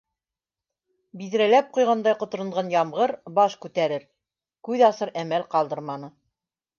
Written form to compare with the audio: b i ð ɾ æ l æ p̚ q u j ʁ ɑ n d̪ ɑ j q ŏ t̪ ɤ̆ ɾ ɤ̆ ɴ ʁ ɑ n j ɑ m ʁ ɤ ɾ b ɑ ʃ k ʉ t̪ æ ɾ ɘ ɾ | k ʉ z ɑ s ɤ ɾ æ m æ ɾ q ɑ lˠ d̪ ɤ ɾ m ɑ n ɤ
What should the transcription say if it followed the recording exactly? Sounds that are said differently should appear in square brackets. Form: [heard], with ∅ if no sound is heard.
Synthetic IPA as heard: b i ð ɾ æ l æ p̚ q u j ʁ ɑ n d̪ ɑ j q ŏ t̪ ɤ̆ ɾ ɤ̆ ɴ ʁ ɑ n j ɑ m ʁ ɤ ɾ b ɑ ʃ k ʉ t̪ æ ɾ ɘ ɾ | k ʉ [ð] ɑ s ɤ ɾ æ m æ [l] q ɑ lˠ d̪ ɤ ɾ m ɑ n ɤ